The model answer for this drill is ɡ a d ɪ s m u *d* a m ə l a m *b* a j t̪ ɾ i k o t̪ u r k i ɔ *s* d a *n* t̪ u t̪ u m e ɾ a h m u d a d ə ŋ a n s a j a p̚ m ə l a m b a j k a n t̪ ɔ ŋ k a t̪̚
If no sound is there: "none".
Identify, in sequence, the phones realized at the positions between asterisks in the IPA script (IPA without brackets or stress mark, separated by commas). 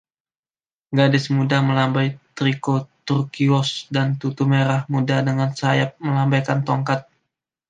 d, b, s, n